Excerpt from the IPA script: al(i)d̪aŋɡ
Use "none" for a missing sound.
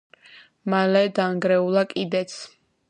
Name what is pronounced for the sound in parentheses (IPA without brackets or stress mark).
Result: ɛ